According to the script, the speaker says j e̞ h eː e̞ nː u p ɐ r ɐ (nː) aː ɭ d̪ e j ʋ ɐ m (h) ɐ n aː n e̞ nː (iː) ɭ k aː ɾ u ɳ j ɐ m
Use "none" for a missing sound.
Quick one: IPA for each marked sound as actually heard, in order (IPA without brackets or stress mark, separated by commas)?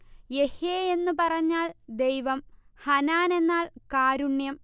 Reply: ɲː, h, aː